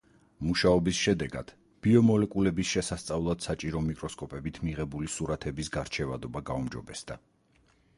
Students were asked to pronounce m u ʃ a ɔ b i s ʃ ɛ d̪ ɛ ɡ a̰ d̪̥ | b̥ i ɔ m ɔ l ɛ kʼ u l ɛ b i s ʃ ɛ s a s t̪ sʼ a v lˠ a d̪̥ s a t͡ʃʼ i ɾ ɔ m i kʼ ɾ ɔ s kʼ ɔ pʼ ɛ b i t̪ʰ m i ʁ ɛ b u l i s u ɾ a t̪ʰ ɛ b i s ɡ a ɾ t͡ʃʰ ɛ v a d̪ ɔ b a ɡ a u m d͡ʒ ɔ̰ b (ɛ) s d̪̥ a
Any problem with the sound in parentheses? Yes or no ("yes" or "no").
no